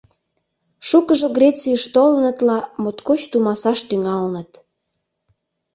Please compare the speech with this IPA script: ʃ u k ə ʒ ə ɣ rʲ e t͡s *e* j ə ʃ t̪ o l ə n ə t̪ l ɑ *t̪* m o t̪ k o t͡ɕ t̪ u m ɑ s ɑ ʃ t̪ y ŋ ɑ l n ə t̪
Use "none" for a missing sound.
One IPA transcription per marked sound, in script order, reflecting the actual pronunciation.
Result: i, none

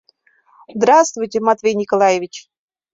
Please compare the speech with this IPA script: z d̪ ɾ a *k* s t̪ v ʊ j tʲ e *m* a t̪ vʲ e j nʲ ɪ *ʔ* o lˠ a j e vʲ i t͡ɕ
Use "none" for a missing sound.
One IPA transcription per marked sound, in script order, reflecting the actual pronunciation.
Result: none, m, k

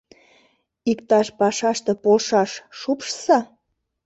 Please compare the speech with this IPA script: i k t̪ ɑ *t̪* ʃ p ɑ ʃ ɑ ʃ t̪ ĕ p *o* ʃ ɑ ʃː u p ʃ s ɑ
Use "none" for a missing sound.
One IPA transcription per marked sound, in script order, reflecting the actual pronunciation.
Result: none, o

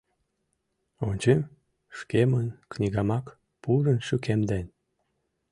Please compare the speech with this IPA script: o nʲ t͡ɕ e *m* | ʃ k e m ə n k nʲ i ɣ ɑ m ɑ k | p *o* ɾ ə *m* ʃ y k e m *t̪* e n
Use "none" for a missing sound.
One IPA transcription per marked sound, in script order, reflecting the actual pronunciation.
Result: m, u, n, d̪

